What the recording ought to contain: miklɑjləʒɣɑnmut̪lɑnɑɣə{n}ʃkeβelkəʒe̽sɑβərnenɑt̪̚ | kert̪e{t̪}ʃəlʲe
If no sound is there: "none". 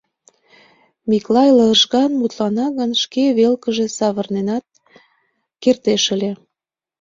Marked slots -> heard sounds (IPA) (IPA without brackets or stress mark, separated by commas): n, none